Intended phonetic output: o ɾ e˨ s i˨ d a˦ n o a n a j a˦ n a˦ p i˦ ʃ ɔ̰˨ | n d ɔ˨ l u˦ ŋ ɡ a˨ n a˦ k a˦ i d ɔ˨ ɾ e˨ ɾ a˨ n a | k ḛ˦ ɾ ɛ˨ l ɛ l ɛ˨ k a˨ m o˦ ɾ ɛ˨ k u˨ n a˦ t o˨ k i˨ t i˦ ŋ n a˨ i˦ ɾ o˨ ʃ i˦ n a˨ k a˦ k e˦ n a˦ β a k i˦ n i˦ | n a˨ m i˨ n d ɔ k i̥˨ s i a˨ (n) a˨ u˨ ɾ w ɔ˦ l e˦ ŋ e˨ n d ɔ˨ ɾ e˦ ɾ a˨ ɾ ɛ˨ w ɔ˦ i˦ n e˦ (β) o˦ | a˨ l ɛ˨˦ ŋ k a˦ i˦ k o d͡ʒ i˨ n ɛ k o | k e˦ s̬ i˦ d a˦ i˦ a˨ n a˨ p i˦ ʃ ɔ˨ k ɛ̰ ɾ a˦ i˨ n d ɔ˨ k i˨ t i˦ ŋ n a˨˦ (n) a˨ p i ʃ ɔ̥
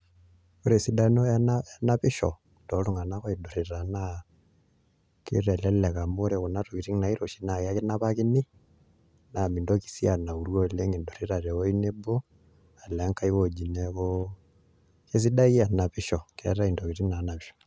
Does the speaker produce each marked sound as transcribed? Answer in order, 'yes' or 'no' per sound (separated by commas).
yes, no, yes